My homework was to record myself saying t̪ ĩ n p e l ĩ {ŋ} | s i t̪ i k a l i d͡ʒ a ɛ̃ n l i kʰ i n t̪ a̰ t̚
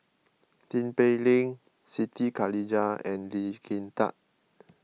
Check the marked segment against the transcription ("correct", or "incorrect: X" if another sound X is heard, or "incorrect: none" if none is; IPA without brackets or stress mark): correct